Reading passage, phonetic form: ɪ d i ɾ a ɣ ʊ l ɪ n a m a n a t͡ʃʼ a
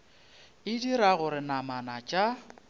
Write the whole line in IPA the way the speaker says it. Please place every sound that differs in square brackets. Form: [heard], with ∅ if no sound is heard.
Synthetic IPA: ɪ d i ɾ a ɣ ʊ [ɾ] ɪ n a m a n a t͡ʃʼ a